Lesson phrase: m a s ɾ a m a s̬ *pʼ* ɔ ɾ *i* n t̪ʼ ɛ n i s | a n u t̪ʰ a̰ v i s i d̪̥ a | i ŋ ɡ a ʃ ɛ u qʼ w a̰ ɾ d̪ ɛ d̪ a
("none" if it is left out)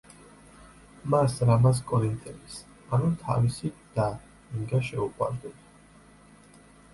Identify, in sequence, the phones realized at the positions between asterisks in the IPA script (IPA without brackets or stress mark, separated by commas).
kʼ, i